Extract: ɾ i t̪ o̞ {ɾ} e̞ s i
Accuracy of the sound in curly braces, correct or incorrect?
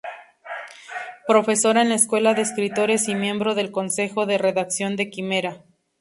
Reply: correct